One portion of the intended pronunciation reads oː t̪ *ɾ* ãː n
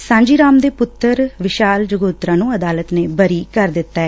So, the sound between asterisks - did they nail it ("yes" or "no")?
yes